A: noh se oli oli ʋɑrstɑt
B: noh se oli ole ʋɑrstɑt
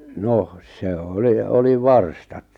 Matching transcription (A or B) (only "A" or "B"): A